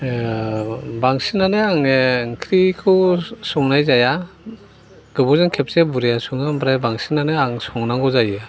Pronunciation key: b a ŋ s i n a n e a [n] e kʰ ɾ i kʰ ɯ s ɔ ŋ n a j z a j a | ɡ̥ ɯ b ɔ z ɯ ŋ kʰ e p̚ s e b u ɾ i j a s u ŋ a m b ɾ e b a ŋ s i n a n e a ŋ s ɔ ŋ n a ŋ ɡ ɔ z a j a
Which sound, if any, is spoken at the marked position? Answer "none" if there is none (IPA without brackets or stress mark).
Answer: ŋ